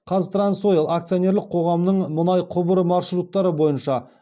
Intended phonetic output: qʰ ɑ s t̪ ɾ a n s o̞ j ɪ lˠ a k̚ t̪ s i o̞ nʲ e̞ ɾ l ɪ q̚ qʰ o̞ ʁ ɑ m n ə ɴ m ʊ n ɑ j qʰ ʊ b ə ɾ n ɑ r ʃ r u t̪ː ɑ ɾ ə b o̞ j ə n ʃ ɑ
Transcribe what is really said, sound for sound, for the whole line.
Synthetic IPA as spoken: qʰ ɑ z t̪ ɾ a n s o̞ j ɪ lˠ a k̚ t̪ s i o̞ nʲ e̞ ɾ l ɪ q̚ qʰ o̞ ʁ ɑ m n ə ɴ m ʊ n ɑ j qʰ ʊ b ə ɾ m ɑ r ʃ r u t̪ː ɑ ɾ ə b o̞ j ə n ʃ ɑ